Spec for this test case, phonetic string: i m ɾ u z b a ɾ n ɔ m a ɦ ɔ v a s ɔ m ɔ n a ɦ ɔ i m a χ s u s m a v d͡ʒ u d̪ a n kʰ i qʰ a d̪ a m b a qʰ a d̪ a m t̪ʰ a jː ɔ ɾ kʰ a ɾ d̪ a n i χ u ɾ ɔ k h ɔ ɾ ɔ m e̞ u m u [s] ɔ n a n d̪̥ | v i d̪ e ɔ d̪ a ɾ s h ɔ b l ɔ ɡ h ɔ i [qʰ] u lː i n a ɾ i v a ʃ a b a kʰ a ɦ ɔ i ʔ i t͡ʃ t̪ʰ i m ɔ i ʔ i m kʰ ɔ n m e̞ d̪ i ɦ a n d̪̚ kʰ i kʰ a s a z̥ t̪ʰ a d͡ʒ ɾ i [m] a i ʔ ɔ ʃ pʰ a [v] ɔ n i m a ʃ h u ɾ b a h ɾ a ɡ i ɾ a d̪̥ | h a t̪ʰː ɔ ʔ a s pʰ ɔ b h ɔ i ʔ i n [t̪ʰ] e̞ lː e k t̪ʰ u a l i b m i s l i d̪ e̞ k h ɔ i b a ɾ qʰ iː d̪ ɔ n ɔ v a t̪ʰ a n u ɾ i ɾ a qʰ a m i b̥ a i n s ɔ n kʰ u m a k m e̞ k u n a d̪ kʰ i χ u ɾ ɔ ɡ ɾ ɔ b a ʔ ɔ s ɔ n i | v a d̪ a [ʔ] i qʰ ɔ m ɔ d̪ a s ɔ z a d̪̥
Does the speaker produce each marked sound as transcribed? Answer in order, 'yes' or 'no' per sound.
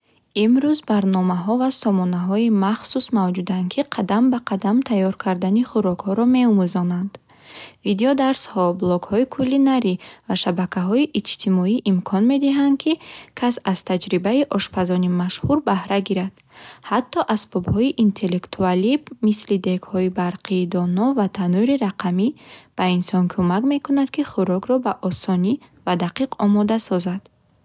no, no, no, no, yes, no

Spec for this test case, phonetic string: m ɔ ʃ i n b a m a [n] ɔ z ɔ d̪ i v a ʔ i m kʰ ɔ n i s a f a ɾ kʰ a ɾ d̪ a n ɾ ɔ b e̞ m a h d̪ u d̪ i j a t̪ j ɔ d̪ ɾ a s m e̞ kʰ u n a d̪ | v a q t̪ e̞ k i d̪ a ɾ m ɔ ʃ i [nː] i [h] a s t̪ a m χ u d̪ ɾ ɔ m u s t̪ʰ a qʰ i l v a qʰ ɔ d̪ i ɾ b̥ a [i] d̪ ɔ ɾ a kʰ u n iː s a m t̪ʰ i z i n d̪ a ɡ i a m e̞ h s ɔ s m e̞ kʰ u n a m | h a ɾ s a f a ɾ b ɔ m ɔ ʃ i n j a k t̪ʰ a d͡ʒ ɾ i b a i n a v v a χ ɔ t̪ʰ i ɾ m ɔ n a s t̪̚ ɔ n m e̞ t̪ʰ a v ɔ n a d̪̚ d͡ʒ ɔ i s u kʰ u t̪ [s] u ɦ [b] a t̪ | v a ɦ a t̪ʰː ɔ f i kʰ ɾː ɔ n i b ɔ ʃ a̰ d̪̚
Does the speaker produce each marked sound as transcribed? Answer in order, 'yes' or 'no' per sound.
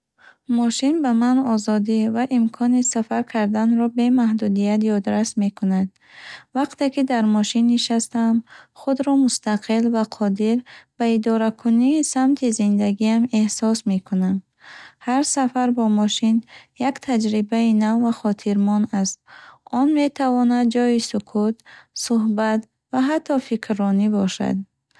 yes, yes, no, yes, yes, yes

